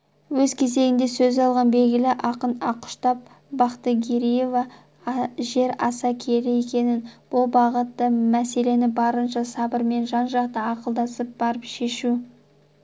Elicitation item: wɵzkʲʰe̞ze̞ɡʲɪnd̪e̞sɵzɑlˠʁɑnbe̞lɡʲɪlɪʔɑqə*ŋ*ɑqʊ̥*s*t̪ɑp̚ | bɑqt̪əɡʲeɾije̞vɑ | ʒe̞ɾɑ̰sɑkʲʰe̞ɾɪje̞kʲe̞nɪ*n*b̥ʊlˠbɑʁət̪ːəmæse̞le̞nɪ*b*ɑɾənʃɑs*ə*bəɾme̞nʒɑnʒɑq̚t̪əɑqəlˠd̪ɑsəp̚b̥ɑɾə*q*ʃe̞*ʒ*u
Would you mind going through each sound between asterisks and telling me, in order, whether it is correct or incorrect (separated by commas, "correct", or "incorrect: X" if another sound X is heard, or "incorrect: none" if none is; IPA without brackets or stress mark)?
incorrect: n, incorrect: ʃ, correct, correct, incorrect: ɑ, incorrect: p, incorrect: ʃ